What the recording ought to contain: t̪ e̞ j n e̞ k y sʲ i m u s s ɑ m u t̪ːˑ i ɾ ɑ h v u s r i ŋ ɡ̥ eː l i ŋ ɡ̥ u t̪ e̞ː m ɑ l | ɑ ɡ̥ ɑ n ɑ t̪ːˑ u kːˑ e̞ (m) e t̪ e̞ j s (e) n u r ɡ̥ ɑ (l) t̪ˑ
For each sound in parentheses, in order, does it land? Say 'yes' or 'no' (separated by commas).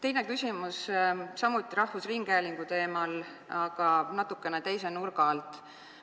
no, yes, yes